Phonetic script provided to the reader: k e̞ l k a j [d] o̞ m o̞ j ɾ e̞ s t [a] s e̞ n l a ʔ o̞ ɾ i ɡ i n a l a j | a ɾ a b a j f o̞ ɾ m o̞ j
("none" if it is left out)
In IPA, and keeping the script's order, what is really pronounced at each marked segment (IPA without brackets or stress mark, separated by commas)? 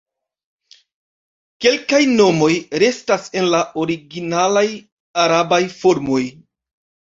n, a